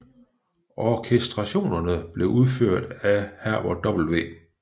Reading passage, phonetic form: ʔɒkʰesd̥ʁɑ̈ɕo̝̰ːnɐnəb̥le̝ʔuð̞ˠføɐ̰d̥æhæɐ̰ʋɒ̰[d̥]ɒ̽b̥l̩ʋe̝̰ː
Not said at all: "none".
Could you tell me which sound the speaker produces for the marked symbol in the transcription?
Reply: d̥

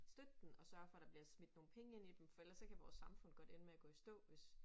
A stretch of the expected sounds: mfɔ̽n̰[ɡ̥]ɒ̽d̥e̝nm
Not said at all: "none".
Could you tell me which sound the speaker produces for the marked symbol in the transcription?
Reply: ɡ̥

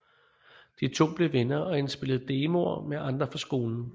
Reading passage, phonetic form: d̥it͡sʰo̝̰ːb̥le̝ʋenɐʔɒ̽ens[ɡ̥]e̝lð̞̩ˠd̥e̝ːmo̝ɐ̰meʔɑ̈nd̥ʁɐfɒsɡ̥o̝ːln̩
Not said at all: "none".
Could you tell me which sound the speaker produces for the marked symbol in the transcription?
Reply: b̥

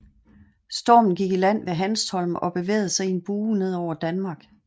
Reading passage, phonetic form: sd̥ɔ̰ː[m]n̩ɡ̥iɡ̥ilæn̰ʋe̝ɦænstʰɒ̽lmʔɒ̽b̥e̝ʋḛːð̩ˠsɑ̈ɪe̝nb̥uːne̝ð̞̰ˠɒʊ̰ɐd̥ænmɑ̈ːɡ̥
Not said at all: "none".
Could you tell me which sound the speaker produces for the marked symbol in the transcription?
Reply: m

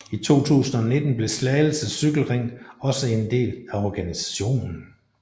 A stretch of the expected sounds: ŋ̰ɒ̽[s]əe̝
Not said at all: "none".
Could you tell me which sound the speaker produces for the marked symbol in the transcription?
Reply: s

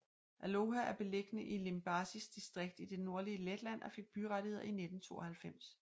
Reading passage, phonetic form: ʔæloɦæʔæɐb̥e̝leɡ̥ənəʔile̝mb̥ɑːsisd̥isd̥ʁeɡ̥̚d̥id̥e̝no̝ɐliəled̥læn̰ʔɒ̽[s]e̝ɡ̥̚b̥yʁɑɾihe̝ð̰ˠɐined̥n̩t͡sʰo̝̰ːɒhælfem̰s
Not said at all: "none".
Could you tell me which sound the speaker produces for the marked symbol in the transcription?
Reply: f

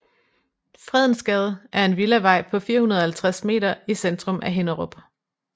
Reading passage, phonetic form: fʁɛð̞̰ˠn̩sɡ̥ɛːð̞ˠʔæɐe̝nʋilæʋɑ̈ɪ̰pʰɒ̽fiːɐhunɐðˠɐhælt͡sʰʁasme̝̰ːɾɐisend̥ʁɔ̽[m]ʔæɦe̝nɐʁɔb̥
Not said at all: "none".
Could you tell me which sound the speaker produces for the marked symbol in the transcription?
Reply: m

